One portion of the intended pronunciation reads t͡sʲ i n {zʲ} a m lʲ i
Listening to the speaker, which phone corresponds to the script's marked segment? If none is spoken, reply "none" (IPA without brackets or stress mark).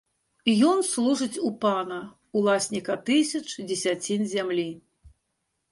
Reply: zʲ